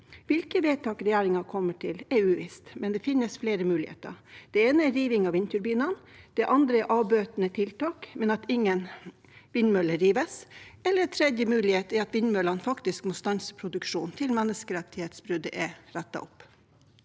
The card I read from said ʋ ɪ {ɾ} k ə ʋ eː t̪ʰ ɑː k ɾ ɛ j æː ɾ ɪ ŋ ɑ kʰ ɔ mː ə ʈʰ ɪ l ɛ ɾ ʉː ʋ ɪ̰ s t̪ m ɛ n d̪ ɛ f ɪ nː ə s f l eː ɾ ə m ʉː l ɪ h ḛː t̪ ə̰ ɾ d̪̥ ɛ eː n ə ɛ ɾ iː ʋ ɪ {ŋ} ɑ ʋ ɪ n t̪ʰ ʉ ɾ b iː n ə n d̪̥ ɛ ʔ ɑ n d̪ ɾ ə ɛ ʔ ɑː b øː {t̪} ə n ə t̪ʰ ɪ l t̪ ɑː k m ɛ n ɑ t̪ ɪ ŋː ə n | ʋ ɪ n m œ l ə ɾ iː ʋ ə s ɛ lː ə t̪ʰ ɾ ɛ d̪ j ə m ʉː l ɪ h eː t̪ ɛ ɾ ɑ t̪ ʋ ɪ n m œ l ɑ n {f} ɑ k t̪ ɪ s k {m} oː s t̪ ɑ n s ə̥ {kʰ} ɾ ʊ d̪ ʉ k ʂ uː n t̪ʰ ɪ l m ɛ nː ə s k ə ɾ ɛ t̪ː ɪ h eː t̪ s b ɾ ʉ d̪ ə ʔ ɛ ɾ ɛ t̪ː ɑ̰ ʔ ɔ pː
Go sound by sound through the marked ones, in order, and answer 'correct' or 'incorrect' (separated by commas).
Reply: incorrect, correct, correct, correct, correct, incorrect